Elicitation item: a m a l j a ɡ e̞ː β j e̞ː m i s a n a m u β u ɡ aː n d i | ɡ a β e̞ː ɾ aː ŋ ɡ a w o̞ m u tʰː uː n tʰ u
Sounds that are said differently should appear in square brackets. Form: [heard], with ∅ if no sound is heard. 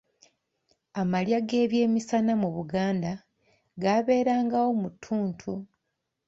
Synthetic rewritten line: a m a l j a ɡ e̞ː β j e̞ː m i s a n a m u β u ɡ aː n d [a] | ɡ a β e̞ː ɾ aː ŋ ɡ a w o̞ m u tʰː uː n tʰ u